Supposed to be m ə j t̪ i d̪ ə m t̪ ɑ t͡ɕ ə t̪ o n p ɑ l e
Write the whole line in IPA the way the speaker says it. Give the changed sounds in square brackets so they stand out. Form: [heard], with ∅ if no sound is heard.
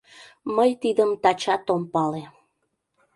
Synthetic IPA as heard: m ə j t̪ i d̪ ə m t̪ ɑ t͡ɕ [ɑ] t̪ o [m] p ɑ l e